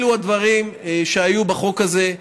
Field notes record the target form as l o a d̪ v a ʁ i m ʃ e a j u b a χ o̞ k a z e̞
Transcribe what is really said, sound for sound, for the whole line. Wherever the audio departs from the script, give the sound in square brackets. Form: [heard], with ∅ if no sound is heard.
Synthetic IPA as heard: l [u] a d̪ v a ʁ i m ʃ e a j u b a χ o̞ k a z e̞